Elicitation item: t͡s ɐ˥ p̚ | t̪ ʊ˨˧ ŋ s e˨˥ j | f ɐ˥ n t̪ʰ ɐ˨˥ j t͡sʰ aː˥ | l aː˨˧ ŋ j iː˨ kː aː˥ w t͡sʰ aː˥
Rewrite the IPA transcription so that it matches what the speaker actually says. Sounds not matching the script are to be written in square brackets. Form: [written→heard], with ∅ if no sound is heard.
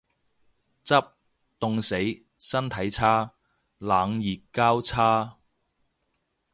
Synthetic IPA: t͡s ɐ˥ p̚ | t̪ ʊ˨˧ ŋ s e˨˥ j | [f→s] ɐ˥ n t̪ʰ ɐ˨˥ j t͡sʰ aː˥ | l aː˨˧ ŋ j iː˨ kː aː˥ w t͡sʰ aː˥